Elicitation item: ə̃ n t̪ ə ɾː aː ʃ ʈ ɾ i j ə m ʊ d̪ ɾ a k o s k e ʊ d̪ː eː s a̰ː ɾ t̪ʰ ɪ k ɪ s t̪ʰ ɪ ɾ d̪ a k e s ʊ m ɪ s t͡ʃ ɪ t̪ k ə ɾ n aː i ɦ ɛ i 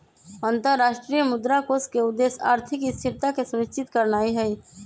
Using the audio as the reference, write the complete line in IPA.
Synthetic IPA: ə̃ n t̪ ə ɾː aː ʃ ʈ ɾ i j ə m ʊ d̪ ɾ a k o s k e ʊ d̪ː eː s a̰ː ɾ t̪ʰ ɪ k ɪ s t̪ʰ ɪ ɾ t̪ a k e s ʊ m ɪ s t͡ʃ ɪ t̪ k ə ɾ n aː i ɦ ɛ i